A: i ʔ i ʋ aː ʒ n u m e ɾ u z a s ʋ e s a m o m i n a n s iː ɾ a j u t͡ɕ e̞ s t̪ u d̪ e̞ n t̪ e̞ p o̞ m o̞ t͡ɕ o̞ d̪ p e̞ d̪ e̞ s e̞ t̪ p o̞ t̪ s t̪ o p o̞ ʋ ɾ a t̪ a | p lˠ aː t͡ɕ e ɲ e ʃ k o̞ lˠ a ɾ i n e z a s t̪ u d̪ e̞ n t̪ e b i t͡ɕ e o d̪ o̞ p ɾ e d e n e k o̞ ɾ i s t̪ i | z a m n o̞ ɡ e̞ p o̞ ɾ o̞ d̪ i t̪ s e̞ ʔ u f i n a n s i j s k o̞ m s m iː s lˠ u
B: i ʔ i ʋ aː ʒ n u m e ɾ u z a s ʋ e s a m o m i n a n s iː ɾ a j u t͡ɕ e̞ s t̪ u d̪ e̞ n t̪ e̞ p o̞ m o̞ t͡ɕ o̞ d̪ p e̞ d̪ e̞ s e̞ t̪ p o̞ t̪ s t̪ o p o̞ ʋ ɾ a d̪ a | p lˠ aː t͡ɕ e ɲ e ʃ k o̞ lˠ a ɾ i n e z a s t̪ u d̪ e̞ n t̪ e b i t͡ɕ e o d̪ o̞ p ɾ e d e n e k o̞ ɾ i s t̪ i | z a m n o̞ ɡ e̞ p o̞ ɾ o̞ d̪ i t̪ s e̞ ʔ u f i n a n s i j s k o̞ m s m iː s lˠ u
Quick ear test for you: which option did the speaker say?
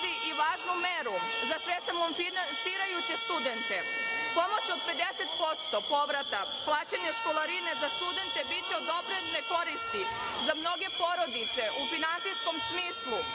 A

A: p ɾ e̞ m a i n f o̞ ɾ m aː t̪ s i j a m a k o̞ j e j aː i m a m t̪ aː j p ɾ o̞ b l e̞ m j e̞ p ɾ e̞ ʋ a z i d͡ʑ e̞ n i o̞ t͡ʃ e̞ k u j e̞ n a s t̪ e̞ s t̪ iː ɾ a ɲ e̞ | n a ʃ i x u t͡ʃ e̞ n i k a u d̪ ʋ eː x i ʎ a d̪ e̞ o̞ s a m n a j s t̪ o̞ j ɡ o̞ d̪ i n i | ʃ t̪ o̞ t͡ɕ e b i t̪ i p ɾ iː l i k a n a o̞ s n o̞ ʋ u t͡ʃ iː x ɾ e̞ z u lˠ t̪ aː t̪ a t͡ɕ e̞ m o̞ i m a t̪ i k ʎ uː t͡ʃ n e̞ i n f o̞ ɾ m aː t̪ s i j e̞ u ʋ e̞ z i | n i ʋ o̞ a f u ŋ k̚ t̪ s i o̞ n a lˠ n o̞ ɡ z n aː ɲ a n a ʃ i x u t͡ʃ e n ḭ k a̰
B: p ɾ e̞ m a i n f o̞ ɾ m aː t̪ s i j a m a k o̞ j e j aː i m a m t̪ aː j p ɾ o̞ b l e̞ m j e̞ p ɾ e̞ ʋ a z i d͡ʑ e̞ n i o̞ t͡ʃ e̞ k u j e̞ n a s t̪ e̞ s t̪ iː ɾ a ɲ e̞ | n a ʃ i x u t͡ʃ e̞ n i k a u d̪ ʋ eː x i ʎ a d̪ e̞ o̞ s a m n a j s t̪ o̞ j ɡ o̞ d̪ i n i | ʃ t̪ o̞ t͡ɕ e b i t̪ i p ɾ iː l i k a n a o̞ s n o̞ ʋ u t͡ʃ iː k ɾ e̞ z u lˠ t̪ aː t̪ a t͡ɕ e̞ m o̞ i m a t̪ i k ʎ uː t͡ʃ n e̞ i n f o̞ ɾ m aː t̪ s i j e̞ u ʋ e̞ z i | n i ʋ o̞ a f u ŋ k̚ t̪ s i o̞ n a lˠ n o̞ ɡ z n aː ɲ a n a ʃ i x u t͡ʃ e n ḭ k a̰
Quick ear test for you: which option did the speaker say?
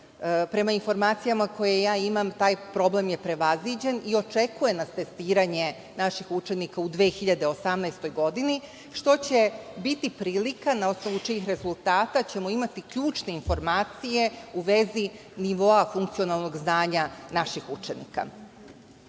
A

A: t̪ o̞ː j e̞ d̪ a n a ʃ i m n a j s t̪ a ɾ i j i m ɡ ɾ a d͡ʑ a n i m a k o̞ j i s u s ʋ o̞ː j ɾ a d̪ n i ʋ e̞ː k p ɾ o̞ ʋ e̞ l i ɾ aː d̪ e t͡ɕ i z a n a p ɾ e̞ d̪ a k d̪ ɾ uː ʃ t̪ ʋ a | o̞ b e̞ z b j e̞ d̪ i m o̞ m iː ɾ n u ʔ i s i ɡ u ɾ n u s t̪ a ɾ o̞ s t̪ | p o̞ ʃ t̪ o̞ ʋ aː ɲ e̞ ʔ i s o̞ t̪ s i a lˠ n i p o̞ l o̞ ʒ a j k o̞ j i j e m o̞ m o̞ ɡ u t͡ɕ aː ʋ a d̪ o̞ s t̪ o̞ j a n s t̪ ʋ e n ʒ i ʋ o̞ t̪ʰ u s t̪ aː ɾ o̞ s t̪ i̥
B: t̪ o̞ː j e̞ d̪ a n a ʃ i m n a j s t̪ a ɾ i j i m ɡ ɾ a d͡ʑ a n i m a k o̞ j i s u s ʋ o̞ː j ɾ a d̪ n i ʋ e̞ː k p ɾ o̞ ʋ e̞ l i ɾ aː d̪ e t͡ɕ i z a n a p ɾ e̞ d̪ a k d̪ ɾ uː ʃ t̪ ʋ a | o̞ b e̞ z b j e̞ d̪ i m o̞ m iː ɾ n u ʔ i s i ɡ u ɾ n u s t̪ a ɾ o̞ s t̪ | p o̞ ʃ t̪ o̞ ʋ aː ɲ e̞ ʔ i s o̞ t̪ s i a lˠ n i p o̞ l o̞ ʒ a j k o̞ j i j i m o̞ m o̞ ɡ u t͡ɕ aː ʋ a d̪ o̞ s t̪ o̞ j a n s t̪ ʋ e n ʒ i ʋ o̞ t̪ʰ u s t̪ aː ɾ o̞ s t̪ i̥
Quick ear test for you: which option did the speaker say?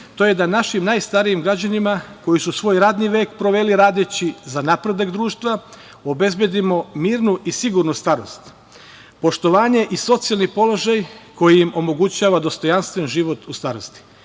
B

